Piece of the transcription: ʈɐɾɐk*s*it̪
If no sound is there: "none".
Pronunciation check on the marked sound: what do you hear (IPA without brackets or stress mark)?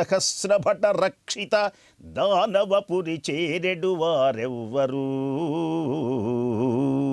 ʂ